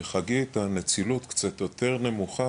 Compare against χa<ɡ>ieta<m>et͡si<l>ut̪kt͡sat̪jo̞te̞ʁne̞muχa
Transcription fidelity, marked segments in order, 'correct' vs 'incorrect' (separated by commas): correct, incorrect, correct